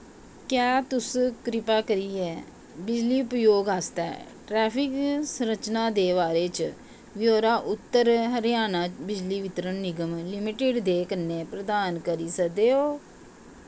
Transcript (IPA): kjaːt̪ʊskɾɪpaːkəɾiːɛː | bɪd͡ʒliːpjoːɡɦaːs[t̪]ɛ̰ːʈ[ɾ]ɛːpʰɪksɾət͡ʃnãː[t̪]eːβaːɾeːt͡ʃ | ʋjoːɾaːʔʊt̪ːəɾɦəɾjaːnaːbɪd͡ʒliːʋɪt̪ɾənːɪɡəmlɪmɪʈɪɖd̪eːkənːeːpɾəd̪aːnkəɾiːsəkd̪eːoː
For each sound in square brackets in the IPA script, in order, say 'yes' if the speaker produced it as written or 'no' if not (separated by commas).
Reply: yes, yes, no